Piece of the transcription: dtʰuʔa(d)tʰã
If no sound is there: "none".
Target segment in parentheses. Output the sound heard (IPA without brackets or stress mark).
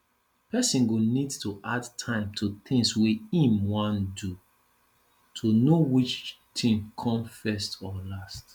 d